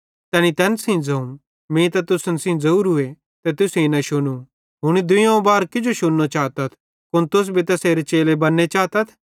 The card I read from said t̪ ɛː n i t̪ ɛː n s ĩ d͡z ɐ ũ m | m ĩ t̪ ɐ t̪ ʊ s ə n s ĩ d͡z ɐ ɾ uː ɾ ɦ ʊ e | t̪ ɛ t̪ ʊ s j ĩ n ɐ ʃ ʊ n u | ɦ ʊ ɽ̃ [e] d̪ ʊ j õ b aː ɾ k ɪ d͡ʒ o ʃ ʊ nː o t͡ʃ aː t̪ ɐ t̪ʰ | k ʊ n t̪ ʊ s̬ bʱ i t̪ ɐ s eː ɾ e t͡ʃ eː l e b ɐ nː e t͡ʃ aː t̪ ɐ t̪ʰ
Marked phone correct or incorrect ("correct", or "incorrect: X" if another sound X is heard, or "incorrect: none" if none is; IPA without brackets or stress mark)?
incorrect: i